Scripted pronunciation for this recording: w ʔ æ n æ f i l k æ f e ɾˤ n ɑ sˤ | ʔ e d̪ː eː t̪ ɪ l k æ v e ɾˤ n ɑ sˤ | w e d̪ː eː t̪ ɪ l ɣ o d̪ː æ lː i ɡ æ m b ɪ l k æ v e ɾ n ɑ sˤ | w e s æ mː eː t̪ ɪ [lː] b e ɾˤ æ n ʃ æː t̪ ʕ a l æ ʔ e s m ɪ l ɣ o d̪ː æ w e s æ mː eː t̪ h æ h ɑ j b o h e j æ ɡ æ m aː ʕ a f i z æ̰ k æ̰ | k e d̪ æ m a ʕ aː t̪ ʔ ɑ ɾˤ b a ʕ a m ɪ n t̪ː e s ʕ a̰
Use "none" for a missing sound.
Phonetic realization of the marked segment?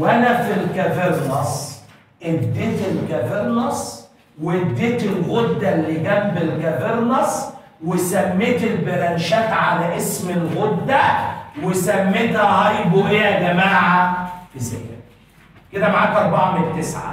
l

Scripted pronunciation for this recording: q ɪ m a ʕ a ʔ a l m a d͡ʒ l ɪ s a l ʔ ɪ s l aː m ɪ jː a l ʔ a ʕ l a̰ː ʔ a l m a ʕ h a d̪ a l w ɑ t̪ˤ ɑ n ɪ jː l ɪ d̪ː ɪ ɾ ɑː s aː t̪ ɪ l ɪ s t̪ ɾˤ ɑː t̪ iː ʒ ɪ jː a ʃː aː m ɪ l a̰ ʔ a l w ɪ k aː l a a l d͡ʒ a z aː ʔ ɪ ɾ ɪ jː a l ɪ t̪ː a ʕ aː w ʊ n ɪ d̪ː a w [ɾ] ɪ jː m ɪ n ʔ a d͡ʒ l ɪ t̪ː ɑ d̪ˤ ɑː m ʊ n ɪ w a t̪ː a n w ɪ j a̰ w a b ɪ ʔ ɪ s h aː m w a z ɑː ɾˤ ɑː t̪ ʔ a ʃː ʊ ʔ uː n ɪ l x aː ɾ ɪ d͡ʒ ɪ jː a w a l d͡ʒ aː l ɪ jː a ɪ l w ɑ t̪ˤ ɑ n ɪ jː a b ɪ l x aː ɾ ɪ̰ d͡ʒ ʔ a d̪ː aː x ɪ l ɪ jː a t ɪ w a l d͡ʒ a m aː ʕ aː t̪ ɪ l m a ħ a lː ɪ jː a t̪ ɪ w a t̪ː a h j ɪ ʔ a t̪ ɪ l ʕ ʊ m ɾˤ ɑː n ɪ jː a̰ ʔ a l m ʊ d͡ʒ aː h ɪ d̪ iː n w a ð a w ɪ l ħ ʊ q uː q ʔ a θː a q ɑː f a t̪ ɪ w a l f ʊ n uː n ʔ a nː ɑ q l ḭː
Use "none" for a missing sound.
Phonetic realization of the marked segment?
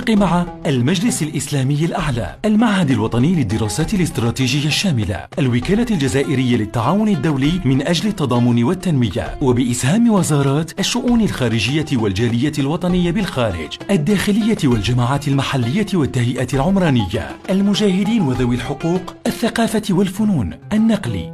l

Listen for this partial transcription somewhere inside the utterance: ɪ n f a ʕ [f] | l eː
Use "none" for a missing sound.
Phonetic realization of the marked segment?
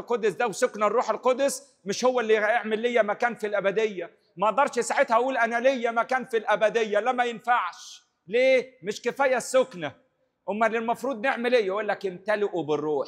ʃ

